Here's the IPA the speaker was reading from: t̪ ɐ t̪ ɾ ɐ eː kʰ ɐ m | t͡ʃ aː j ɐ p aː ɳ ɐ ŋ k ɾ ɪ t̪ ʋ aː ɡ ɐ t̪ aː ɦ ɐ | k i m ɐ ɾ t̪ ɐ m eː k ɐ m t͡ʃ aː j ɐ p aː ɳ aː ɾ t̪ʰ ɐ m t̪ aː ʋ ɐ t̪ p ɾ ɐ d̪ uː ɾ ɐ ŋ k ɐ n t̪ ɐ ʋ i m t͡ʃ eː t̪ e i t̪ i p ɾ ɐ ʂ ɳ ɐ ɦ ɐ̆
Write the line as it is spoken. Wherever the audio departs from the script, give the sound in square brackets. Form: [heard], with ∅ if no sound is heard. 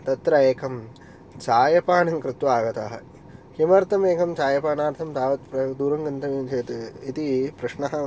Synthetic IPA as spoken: t̪ ɐ t̪ ɾ ɐ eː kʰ ɐ m | t͡ʃ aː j ɐ p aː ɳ ɐ ŋ k ɾ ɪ t̪ ʋ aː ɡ ɐ t̪ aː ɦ ɐ | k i m ɐ ɾ t̪ ɐ m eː k ɐ m t͡ʃ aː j ɐ p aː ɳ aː ɾ t̪ʰ ɐ m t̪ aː ʋ ɐ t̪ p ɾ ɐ d̪ uː ɾ ɐ ŋ [ɡ] ɐ n t̪ ɐ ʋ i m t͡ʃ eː t̪ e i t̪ i p ɾ ɐ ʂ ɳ ɐ ɦ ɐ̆